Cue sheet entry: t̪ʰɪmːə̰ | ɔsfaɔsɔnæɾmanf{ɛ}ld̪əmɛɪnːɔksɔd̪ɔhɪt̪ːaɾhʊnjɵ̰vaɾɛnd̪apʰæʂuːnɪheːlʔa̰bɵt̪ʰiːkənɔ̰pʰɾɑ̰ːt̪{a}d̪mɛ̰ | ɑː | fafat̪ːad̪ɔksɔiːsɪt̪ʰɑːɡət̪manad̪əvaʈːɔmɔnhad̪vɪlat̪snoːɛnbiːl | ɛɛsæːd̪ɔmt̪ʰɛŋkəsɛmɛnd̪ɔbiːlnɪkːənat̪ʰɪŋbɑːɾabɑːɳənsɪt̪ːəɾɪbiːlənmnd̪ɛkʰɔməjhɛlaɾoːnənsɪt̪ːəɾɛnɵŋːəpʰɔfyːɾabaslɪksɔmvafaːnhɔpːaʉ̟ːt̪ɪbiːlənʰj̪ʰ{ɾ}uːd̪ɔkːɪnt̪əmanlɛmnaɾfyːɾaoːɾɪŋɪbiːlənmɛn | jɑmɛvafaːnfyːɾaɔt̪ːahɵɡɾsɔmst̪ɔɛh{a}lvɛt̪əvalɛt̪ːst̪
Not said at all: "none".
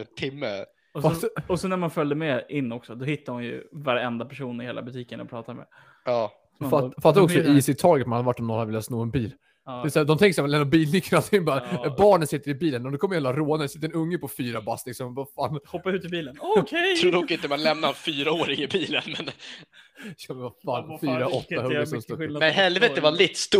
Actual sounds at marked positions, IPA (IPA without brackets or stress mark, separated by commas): œ, a, ɾ, ɛ